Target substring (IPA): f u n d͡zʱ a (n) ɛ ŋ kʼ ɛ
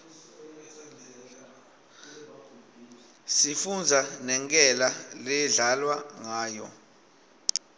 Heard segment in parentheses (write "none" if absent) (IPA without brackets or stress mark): n